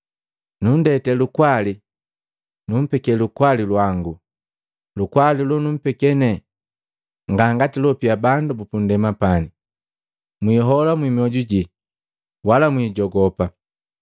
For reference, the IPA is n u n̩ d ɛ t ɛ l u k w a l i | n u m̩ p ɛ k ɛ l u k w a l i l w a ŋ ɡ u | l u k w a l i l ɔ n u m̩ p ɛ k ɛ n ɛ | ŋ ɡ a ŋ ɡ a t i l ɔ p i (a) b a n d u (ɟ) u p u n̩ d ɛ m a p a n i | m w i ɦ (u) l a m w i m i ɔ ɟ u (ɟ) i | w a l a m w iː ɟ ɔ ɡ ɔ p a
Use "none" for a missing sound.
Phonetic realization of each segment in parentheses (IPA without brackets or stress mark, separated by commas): a, b, ɔ, ɟ